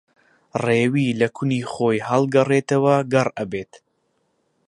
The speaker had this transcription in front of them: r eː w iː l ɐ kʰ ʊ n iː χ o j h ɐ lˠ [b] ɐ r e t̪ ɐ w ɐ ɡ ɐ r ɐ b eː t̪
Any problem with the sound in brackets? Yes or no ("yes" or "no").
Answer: yes